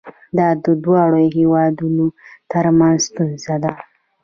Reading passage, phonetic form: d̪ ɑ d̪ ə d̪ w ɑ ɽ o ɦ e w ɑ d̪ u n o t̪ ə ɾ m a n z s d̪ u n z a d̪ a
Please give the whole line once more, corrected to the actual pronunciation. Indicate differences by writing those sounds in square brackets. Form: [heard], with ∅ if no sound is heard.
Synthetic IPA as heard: d̪ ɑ d̪ ə d̪ w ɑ ɽ o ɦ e w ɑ d̪ u n o t̪ ə ɾ m a n z s [t̪] u n z a d̪ a